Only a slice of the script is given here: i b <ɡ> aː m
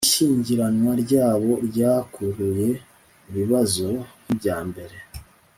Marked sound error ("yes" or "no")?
yes